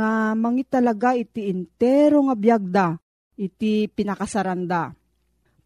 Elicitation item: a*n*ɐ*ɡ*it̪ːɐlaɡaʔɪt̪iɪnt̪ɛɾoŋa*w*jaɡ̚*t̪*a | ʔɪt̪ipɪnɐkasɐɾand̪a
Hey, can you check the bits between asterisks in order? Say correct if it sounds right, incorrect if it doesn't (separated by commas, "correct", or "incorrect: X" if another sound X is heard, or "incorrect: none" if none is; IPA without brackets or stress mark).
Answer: incorrect: m, incorrect: ŋ, incorrect: b, incorrect: d̪